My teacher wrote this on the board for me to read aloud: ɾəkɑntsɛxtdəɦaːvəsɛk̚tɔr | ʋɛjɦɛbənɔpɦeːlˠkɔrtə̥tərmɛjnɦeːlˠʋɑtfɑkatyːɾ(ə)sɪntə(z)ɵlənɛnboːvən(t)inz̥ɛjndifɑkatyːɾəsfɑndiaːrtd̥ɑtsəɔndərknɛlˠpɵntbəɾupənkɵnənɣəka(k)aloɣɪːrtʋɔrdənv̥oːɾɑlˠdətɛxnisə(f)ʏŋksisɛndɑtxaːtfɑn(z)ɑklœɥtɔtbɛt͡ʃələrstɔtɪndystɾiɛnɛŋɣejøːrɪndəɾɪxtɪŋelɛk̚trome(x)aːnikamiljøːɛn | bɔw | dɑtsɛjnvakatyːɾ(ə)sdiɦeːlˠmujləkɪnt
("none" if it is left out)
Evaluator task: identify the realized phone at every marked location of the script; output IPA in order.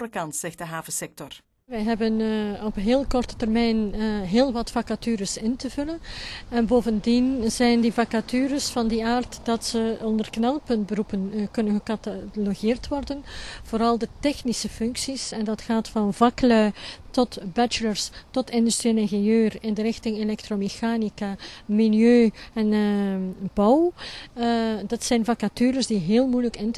ə, v, d, t, f, v, x, ə

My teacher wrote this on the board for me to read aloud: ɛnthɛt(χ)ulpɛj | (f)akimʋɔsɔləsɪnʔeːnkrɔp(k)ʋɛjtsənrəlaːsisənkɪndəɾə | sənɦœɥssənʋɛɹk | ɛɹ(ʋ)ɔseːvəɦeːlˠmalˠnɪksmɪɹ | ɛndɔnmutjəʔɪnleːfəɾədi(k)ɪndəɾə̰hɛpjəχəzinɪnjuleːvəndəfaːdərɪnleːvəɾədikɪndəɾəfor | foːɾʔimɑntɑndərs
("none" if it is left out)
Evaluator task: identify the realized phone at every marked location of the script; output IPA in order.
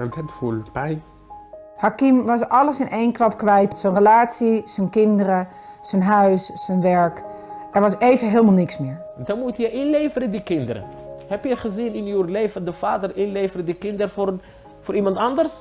f, h, k, ʋ, k

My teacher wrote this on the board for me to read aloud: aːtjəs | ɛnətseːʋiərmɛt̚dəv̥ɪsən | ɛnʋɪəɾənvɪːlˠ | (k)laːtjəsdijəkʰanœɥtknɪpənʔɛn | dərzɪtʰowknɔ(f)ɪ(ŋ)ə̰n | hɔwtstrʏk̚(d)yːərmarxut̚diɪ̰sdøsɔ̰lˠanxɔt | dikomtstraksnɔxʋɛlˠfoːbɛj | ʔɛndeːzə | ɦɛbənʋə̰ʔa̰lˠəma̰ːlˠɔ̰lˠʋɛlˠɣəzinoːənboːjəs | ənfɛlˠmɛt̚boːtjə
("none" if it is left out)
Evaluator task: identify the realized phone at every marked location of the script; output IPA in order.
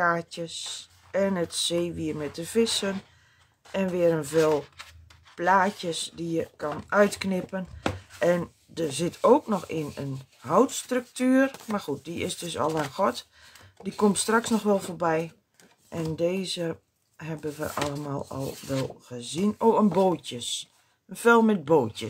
p, x, n, t

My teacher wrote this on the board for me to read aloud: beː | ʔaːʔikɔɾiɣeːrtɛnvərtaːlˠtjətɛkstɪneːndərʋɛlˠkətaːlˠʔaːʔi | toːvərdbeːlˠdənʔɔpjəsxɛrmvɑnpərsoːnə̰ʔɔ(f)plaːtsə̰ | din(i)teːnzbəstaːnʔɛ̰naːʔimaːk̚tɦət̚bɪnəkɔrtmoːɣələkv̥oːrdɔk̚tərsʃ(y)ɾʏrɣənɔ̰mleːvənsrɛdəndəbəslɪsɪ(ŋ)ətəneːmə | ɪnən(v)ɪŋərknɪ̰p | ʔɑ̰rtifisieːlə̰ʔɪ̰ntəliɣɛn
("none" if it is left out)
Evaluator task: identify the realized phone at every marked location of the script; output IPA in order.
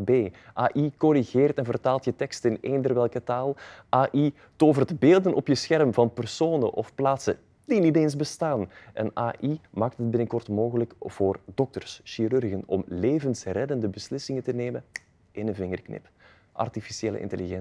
f, i, i, ŋ, v

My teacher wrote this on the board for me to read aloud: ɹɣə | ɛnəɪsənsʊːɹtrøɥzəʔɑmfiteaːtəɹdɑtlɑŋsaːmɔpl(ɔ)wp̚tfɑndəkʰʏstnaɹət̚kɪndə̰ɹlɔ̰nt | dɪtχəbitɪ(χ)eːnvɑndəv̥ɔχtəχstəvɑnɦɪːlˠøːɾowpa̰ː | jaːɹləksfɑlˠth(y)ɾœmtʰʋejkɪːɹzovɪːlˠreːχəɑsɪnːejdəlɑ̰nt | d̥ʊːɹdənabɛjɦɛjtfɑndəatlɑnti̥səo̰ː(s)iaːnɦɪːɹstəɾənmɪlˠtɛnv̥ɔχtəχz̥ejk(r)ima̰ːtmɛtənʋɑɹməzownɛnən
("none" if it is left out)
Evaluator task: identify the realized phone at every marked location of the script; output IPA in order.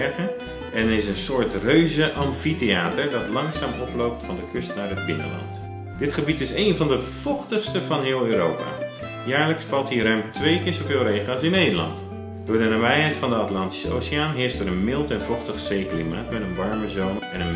o, s, i, s, l

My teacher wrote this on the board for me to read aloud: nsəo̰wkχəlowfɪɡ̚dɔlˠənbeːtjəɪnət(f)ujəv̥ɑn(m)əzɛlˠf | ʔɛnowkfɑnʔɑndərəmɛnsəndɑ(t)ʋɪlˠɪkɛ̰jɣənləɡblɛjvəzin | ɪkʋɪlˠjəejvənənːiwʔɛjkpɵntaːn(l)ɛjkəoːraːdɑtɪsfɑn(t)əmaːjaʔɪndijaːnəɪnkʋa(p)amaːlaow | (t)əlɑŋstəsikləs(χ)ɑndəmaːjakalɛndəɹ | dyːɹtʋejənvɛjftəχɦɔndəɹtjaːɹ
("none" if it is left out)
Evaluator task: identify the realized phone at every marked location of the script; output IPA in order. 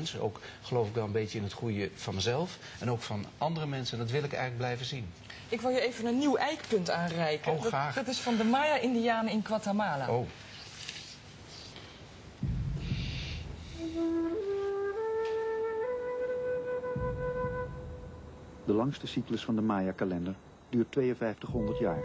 χ, m, t, r, d, t, d, f

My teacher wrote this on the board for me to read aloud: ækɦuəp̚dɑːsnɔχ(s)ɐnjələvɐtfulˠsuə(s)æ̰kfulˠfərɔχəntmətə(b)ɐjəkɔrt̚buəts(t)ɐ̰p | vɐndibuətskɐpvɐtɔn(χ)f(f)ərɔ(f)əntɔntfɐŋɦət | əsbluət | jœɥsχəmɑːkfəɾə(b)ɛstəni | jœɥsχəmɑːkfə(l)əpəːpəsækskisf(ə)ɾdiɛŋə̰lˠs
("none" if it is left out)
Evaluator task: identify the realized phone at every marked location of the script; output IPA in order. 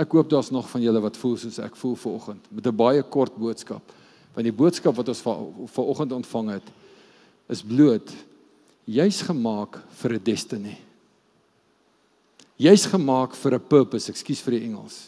f, s, b, k, s, f, χ, d, ɾ, ə

